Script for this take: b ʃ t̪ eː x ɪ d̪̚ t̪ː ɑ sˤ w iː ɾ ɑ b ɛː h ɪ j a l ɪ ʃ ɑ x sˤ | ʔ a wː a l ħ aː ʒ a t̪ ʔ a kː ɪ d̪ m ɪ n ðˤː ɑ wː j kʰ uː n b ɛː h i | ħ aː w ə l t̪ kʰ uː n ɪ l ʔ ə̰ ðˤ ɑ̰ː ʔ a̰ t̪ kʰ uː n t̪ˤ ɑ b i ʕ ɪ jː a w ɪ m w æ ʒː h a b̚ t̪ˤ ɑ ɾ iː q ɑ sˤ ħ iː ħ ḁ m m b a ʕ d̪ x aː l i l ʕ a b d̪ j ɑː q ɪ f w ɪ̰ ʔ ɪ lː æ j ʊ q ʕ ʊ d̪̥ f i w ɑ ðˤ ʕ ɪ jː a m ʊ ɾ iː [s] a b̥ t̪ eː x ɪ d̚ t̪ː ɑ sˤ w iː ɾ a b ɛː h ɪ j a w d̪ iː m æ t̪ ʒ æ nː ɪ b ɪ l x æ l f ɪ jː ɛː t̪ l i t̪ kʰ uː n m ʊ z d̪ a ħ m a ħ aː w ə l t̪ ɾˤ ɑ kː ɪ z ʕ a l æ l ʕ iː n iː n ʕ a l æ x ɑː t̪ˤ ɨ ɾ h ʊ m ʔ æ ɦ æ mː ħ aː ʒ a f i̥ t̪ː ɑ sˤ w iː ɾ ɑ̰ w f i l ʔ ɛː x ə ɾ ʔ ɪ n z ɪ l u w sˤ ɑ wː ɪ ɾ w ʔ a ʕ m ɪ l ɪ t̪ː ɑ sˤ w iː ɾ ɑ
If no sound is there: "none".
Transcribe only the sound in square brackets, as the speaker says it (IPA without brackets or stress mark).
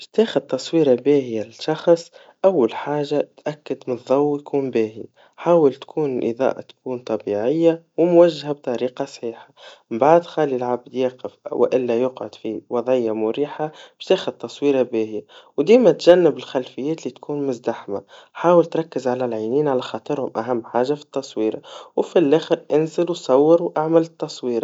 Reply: ħ